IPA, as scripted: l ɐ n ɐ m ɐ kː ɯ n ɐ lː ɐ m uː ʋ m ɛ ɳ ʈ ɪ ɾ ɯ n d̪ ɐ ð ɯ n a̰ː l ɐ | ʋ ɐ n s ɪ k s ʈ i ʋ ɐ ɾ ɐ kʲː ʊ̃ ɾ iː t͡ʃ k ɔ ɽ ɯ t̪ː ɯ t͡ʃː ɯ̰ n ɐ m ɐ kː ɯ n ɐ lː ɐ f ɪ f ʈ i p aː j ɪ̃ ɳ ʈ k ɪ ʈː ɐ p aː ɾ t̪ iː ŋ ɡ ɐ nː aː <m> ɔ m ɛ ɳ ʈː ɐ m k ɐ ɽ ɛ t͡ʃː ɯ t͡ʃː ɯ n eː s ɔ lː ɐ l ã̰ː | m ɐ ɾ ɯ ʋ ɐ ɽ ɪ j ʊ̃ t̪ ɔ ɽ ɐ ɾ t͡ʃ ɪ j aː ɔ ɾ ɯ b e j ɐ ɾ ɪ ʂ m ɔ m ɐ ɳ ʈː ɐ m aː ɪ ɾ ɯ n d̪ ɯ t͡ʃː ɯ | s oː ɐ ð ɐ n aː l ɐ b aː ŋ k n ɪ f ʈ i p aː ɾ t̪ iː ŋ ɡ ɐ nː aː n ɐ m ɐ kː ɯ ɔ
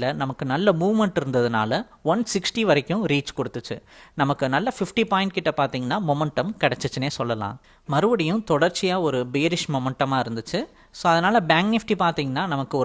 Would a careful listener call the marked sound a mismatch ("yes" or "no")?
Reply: no